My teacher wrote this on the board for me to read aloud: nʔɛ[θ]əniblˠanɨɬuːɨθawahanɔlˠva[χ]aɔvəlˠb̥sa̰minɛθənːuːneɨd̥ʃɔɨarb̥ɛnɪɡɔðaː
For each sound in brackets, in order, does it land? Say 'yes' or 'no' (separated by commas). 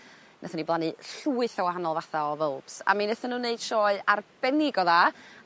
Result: yes, no